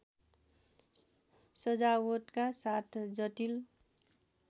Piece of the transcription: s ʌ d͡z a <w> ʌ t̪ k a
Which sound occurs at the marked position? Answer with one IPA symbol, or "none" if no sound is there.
w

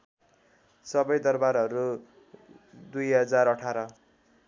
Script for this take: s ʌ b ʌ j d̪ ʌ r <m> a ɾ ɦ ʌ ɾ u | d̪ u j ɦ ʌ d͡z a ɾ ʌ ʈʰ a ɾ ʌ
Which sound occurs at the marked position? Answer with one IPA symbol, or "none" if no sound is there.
b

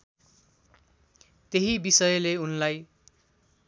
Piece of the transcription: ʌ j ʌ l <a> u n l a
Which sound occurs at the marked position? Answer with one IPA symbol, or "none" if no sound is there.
e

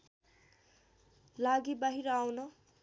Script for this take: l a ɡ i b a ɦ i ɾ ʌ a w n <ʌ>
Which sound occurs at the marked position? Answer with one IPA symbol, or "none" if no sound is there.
ʌ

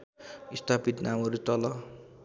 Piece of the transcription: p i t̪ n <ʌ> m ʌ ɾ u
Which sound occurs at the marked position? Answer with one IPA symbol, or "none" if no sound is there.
a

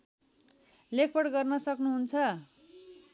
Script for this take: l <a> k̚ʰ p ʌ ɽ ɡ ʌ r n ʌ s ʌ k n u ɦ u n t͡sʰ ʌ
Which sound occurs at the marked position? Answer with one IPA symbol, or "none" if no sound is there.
e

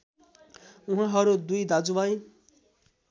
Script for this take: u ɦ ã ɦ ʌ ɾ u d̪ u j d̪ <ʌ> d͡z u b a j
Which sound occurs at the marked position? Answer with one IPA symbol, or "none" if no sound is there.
a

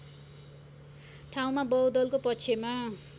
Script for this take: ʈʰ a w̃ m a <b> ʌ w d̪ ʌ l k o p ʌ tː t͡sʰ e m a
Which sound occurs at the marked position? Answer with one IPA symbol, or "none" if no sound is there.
b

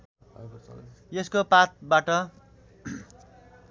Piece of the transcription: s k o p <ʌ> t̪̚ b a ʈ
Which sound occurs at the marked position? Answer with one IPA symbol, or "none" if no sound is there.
a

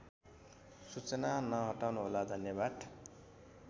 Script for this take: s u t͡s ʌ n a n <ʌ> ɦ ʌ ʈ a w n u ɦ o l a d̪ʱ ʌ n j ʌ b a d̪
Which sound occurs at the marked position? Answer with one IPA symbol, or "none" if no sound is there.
ʌ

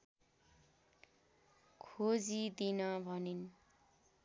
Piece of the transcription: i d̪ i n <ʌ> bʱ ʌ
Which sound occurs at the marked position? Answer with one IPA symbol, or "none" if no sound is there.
ʌ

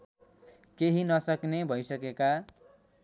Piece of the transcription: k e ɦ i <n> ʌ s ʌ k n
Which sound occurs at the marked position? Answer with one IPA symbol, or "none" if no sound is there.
n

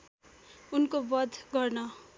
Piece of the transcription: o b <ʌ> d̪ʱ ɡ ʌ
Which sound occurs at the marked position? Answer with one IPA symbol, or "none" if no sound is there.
ʌ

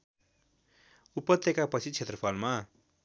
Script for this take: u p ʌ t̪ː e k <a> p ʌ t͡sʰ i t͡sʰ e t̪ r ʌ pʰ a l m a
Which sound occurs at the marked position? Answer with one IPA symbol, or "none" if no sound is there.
a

